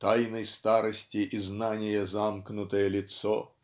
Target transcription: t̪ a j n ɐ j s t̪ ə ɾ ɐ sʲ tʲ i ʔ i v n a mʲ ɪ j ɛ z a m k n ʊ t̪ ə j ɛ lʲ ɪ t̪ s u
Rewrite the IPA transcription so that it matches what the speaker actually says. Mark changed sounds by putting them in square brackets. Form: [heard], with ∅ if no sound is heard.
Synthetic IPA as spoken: t̪ a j n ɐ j s t̪ [a] ɾ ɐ sʲ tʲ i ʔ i [z] n a [nʲ] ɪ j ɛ z a m k n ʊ t̪ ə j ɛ lʲ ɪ t̪ s [ɔ]